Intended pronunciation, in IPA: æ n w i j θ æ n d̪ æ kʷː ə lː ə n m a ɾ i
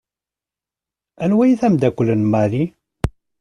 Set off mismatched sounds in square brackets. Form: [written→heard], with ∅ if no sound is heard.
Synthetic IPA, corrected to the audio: æ n w [i→æ] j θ æ [n→m] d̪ æ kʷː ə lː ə n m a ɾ i